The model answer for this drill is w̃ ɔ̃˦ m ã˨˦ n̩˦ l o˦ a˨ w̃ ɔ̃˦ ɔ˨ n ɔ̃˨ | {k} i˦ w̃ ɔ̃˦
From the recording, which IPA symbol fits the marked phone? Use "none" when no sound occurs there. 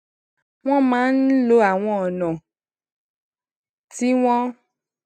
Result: t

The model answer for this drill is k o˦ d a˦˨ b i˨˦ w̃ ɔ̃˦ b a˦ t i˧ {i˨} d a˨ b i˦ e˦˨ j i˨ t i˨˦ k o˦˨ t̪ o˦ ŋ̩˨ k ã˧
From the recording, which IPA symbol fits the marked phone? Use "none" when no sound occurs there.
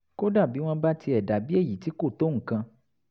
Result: ɛ˨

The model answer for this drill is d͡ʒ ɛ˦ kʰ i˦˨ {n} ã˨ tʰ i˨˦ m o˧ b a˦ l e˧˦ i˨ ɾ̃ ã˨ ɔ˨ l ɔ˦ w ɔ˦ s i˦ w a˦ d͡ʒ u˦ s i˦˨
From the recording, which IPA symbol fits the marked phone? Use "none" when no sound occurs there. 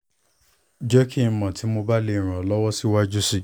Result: m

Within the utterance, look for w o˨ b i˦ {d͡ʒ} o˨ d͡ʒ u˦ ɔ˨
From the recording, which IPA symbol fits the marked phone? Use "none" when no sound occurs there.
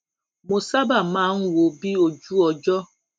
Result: none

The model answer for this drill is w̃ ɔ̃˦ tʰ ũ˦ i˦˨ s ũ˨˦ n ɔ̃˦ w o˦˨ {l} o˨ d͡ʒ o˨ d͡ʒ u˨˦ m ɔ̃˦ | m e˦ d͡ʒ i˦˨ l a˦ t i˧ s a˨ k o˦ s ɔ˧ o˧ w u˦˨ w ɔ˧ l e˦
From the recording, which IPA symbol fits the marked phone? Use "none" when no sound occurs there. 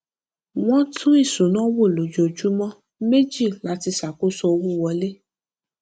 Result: l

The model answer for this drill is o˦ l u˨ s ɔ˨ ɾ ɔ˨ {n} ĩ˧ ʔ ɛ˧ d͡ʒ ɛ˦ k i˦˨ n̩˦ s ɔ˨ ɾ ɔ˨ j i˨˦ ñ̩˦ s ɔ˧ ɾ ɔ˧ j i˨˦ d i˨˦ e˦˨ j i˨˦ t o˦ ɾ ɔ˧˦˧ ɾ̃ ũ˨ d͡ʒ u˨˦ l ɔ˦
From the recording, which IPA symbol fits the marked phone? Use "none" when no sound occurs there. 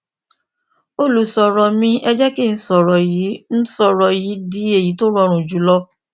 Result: m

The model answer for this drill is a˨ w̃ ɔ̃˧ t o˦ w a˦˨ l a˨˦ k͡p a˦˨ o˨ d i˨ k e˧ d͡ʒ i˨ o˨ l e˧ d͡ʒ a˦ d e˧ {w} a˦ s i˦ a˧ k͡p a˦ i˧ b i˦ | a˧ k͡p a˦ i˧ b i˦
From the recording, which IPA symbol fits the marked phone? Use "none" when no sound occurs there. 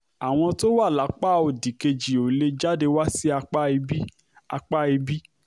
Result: w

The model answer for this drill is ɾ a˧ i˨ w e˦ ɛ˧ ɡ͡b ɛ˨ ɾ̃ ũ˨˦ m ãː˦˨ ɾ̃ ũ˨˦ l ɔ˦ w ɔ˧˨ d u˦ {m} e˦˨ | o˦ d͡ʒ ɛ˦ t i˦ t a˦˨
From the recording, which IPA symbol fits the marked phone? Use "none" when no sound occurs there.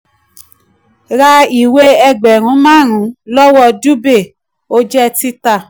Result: b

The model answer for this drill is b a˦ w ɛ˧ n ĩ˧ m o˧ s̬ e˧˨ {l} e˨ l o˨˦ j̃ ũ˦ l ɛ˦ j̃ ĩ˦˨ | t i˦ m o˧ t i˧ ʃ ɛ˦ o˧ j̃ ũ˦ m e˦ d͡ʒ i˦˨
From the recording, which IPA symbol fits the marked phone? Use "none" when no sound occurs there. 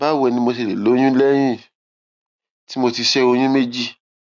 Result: l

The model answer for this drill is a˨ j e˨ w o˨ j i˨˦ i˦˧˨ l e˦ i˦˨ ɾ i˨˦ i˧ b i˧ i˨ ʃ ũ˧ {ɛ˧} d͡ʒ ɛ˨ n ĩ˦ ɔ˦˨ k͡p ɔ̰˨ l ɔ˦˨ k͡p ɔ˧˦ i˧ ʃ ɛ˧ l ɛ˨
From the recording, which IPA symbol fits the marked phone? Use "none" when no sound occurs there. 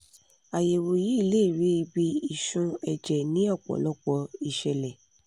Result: ɛ˧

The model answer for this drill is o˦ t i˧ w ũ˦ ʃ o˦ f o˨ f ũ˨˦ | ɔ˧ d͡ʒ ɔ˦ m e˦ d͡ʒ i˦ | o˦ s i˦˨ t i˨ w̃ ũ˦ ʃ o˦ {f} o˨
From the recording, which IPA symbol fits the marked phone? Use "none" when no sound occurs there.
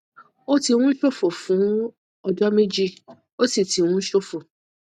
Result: f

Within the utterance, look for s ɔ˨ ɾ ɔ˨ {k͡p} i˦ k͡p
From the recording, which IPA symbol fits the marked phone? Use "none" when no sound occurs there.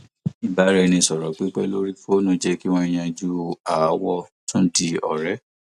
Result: k͡p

